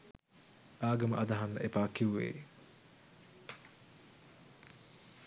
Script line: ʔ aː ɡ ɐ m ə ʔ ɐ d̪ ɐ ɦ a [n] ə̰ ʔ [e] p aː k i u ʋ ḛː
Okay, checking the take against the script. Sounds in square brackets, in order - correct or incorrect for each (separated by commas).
incorrect, correct